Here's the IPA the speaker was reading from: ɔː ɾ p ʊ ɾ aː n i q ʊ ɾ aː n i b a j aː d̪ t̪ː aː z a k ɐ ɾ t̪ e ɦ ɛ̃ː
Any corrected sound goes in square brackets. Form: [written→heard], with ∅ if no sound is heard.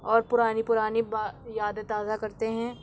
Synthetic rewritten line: ɔː ɾ p ʊ ɾ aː n i [q→p] ʊ ɾ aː n i b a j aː d̪ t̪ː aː z a k ɐ ɾ t̪ e ɦ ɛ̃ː